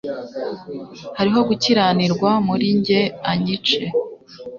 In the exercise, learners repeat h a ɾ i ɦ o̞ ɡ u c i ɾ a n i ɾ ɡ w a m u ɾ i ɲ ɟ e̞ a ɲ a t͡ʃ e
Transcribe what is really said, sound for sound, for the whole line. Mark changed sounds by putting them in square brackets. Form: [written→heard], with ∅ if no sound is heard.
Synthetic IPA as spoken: h a ɾ i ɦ o̞ ɡ u c i ɾ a n i ɾ ɡ w a m u ɾ i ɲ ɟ e̞ a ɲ [a→i] t͡ʃ e